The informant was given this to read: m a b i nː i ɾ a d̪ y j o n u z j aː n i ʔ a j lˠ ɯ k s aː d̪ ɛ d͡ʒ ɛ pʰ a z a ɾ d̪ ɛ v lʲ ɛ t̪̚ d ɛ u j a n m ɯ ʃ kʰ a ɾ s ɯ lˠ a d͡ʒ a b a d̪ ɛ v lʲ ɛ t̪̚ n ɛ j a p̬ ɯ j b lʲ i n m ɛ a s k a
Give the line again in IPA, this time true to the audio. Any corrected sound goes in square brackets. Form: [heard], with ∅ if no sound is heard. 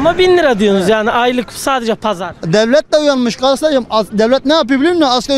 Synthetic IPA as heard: m a b i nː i ɾ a d̪ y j o n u z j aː n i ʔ a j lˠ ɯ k s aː d̪ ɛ d͡ʒ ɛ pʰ a z a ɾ d̪ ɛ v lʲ ɛ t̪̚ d ɛ u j a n m ɯ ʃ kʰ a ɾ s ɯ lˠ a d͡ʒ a [m] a d̪ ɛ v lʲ ɛ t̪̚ n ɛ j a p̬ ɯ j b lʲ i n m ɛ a s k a